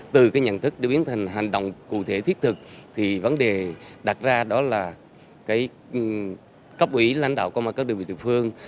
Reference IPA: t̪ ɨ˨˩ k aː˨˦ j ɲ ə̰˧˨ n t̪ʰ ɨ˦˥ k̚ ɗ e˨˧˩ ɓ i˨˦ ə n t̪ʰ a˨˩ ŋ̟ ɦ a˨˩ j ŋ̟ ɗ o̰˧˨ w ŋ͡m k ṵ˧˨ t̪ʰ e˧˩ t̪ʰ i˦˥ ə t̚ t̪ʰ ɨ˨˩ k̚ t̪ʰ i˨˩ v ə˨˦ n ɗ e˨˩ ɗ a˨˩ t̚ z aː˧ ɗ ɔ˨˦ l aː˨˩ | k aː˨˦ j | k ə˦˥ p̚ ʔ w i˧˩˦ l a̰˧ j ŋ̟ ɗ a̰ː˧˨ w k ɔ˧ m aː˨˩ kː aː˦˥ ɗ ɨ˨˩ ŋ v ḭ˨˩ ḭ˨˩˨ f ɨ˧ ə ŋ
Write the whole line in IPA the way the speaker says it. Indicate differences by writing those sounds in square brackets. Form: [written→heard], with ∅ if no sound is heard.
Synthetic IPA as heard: t̪ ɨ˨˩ k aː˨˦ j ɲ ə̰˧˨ n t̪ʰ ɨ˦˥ k̚ ɗ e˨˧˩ ɓ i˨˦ ə n t̪ʰ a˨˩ ŋ̟ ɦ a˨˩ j ŋ̟ ɗ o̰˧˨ w ŋ͡m k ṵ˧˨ t̪ʰ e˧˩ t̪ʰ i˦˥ ə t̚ t̪ʰ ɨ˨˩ k̚ t̪ʰ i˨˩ v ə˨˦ n ɗ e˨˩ ɗ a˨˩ t̚ z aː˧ ɗ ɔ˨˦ l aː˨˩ | k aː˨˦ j | k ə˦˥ p̚ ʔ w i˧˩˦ l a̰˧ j ŋ̟ ɗ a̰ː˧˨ w k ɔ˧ m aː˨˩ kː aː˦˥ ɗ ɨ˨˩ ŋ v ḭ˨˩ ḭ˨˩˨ f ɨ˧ ə ŋ